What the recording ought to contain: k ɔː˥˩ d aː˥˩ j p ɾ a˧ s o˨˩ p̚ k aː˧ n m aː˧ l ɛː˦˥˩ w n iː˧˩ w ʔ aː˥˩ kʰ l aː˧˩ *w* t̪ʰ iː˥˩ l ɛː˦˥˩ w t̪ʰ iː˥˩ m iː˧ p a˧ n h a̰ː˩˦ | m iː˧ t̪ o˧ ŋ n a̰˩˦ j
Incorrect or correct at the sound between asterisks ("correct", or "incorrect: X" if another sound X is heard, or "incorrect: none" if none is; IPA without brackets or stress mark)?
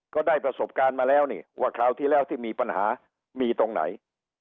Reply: correct